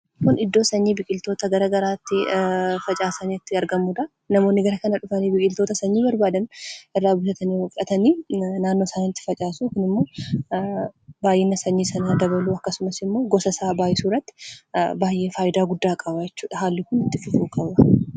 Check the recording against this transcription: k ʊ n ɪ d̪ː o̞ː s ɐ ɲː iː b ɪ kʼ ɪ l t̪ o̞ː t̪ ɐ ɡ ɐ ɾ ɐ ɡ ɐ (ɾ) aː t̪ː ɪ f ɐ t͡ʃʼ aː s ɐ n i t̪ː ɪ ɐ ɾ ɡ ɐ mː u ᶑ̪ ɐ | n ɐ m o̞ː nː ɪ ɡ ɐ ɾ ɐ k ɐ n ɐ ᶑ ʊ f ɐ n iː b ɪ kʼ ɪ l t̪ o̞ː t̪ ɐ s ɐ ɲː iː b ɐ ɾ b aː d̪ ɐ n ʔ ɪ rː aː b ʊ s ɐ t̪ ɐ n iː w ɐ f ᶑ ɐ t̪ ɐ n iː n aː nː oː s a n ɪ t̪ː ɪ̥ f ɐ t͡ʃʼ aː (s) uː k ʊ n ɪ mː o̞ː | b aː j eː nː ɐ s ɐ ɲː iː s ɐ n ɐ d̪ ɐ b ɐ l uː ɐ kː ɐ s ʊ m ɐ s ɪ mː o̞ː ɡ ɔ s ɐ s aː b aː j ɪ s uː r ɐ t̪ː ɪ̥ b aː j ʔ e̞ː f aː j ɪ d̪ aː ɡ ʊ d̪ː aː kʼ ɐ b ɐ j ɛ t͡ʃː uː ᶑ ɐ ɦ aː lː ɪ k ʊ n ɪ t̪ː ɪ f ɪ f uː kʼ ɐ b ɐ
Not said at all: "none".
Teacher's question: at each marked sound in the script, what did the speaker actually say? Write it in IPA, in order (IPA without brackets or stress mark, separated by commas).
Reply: ɾ, s